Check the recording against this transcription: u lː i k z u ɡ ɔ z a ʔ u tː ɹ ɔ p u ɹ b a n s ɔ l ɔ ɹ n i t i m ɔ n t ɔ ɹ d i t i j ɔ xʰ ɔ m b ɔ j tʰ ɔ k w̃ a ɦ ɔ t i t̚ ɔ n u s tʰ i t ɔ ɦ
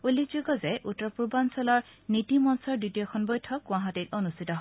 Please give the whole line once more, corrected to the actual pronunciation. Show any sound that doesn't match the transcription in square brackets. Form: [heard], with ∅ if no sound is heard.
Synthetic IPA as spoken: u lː i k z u ɡ ɔ z [ɛ] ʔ u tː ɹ ɔ p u ɹ b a n s ɔ l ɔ ɹ n i t i m ɔ n [s] ɔ ɹ d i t i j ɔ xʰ ɔ [n] b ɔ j tʰ ɔ k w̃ a ɦ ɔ t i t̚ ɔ n u s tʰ i t ɔ ɦ